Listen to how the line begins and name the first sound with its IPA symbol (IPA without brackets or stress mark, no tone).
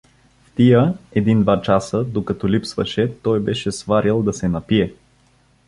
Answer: f